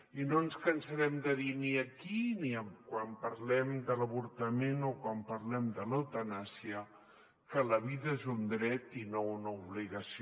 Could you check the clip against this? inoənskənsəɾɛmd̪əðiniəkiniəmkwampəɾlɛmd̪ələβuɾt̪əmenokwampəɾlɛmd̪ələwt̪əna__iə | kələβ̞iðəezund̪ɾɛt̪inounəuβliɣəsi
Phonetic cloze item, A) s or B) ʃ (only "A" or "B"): A